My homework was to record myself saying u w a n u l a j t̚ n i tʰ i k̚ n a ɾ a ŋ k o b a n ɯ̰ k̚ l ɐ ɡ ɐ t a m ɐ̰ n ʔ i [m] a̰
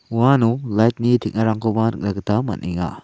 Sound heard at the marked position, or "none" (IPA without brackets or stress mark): ŋ